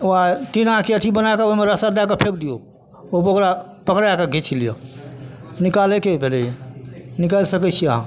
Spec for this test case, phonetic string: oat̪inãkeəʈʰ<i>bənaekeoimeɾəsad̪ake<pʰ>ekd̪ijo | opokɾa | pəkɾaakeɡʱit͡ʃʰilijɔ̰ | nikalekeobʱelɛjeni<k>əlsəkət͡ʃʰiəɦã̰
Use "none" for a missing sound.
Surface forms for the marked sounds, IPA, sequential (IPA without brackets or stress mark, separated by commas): i, pʰ, k